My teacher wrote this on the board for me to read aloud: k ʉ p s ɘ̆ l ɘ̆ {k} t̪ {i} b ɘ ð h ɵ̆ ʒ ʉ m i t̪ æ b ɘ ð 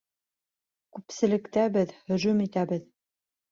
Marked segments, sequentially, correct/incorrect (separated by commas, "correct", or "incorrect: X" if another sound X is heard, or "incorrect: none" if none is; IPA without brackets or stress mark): correct, incorrect: æ